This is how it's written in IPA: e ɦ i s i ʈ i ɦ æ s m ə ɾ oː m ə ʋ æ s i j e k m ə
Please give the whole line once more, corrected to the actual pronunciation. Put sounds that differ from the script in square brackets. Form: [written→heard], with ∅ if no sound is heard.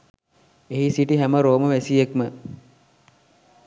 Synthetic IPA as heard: e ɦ i s i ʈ i ɦ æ [s→∅] m ə ɾ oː m ə ʋ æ s i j e k m ə